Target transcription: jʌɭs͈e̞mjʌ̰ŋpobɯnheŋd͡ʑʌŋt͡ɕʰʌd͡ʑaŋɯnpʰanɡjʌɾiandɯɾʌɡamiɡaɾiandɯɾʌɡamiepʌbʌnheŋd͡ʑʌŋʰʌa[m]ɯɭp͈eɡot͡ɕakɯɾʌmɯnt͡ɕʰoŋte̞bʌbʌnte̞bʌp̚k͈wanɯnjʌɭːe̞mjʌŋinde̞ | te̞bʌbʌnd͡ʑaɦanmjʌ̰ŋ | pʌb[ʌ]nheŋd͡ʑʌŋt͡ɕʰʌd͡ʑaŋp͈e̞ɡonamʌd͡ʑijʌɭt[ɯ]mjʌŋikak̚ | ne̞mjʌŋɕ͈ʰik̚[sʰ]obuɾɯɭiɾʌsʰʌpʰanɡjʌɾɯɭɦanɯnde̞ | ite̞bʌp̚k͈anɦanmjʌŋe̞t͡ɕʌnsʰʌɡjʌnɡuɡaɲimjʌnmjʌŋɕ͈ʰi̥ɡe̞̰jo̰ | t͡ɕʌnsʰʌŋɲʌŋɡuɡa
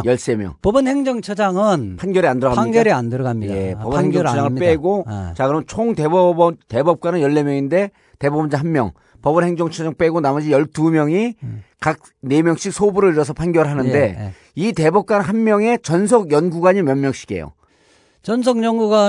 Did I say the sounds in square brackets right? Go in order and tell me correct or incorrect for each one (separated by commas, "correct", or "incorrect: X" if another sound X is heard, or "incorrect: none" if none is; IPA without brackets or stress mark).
incorrect: ŋ, correct, incorrect: u, correct